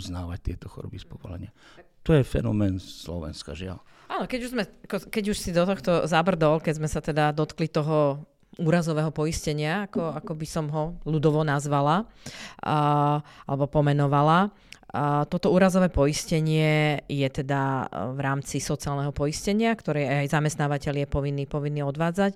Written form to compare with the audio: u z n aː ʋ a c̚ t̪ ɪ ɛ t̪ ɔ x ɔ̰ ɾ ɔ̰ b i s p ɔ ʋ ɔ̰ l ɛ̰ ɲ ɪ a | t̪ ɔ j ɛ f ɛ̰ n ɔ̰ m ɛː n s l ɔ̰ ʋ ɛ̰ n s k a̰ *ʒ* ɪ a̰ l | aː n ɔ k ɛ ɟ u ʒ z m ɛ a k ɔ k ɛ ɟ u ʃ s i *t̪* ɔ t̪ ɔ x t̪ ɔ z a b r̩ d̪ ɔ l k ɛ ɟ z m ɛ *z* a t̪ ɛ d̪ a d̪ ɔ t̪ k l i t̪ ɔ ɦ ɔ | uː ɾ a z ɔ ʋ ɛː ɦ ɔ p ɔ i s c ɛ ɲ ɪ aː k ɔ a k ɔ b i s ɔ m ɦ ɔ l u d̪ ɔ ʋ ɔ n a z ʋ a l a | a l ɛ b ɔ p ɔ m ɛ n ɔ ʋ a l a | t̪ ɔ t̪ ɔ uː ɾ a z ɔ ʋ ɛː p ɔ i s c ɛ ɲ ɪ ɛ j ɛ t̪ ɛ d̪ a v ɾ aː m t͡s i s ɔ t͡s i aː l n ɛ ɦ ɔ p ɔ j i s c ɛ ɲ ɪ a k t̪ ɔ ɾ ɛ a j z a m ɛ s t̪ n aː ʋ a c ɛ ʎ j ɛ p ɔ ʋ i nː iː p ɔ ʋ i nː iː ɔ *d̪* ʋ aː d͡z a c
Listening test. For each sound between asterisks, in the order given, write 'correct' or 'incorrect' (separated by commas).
correct, incorrect, incorrect, correct